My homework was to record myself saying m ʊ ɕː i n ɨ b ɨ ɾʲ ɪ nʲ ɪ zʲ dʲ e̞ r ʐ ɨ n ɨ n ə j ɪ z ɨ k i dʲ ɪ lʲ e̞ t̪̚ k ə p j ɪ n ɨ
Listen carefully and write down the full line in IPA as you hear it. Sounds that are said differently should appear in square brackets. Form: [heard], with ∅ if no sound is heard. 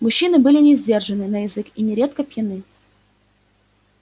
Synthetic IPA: m ʊ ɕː i n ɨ b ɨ [lʲ] ɪ nʲ ɪ zʲ dʲ e̞ r ʐ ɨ n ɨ n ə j ɪ z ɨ k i [nʲ] ɪ [ɾʲ] e̞ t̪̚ k ə p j ɪ n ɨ